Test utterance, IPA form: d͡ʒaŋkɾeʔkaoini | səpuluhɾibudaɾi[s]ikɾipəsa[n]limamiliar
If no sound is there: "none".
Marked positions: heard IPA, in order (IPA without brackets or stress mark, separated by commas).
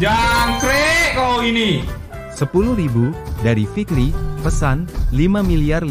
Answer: f, n